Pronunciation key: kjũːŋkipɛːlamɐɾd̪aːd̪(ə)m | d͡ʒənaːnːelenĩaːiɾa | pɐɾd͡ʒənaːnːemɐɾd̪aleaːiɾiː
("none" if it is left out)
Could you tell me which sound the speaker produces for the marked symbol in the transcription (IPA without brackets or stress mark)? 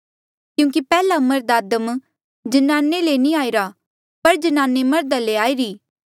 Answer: ə